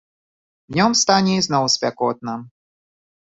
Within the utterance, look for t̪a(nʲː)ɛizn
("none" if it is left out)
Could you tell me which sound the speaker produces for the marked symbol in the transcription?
nʲ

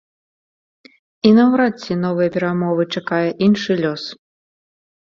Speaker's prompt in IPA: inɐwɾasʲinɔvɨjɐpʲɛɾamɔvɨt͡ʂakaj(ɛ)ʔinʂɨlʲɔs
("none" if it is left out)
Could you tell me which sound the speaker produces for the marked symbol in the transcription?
ɛ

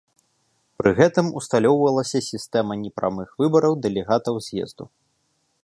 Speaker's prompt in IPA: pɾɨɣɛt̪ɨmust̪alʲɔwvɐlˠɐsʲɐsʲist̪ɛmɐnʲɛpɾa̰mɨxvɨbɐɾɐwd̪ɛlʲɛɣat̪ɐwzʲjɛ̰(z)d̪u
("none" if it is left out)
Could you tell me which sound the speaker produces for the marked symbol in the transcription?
z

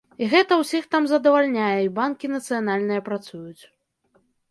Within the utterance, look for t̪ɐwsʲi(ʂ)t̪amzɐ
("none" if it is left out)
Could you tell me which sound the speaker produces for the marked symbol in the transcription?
x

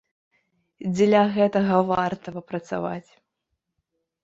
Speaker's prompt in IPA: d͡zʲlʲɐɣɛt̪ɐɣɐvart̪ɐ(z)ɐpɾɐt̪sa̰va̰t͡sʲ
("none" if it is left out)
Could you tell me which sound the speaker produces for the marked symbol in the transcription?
v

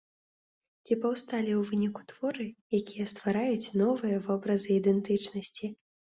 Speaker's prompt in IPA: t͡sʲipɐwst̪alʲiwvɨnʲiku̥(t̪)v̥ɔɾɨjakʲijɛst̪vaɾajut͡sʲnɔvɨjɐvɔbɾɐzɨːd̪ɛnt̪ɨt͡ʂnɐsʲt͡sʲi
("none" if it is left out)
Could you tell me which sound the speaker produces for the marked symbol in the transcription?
t̪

